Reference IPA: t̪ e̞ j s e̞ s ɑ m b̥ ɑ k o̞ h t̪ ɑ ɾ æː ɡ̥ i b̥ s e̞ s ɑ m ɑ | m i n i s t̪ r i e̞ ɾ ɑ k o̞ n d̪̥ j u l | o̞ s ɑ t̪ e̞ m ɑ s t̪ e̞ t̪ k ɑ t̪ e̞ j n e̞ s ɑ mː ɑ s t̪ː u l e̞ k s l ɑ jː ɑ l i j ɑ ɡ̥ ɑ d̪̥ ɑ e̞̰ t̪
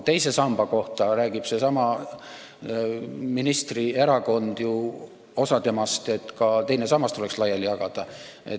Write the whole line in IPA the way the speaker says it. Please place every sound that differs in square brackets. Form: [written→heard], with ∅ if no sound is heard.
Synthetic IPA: t̪ e̞ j s e̞ s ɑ m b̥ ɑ k o̞ h t̪ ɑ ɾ æː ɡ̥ i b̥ s e̞ s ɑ m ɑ | m i n i s t̪ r i e̞ ɾ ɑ k o̞ n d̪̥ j u [l→∅] | o̞ s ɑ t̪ e̞ m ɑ s t̪ e̞ t̪ k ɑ t̪ e̞ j n e̞ s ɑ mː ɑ s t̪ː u l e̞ k s l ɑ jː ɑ l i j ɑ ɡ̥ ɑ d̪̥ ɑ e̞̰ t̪

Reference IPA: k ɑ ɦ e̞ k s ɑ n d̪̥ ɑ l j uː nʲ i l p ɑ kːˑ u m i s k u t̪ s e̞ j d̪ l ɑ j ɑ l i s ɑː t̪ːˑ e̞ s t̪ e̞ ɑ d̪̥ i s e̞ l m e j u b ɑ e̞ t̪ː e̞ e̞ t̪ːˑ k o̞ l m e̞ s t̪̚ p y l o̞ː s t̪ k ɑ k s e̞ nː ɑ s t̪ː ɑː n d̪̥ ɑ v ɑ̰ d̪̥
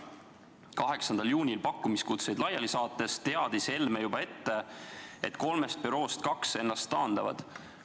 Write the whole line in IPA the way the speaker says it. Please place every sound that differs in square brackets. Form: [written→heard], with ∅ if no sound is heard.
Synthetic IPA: k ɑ ɦ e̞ k s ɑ n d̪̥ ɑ l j uː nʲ i l p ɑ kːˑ u m i s k u t̪ s e̞ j d̪ l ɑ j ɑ l i s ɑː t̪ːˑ e̞ s t̪ e̞ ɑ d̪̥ i s e̞ l m e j u b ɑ e̞ t̪ː e̞ e̞ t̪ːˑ k o̞ l m e̞ s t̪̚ p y [l→ɾ] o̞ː s t̪ k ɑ k s e̞ nː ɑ s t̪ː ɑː n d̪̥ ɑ v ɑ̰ d̪̥

